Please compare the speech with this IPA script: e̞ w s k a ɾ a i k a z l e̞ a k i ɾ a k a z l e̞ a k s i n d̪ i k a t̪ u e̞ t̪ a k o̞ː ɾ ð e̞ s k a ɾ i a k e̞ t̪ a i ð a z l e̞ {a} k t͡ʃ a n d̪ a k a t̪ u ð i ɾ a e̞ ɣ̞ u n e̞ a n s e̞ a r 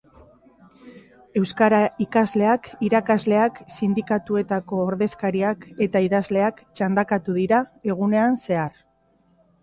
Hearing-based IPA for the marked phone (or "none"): a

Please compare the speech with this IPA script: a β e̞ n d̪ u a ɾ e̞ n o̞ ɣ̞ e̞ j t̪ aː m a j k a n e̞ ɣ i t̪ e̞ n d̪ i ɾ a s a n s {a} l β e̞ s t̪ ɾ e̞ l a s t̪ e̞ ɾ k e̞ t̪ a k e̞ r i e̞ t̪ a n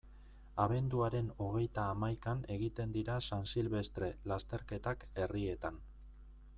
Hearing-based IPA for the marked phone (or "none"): i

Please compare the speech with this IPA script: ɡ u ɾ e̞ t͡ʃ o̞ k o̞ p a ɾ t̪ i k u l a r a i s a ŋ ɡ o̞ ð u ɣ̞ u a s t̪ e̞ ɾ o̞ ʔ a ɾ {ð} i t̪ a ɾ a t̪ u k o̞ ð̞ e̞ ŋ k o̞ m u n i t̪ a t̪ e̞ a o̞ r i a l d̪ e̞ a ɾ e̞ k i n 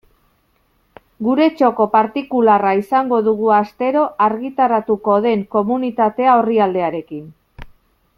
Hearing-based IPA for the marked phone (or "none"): ɣ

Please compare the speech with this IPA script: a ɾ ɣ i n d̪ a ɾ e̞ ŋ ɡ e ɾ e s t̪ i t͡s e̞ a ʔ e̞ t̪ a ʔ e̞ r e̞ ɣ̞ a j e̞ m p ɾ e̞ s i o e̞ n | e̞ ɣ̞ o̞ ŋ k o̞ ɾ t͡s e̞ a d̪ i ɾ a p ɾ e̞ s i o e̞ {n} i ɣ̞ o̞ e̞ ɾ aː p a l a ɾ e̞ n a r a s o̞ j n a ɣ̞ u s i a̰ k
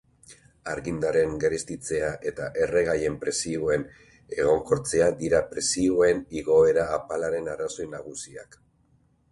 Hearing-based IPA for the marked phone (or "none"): n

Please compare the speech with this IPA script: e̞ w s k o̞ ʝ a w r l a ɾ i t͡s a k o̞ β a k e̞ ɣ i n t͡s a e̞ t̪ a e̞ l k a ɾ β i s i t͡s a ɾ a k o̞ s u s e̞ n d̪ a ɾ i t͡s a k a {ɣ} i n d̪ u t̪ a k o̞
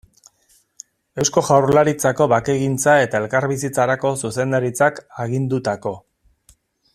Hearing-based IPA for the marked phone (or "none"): ɣ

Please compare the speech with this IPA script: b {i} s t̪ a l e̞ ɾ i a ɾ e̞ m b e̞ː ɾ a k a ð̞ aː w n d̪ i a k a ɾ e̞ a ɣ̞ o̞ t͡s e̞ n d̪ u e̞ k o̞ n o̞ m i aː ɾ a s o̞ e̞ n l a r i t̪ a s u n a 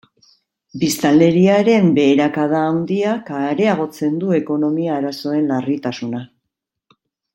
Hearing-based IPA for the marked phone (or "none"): i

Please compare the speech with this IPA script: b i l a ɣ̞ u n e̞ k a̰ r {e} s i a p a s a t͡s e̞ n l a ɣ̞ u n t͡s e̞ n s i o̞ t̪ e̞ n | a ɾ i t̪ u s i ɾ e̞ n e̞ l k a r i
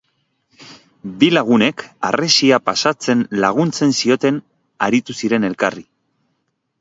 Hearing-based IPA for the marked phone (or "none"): e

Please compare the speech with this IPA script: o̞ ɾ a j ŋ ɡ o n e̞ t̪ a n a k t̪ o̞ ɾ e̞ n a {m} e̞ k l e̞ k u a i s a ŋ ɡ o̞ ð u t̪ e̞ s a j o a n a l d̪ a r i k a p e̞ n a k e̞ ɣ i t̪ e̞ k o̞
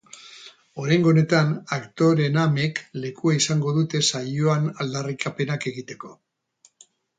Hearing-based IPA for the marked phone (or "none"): m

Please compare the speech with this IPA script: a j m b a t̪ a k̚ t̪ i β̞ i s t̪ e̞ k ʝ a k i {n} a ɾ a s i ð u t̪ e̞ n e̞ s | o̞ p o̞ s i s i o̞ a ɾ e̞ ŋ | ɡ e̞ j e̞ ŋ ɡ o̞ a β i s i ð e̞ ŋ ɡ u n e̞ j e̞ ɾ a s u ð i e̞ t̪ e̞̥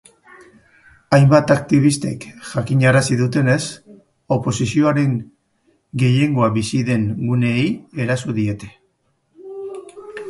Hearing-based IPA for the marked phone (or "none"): ɲ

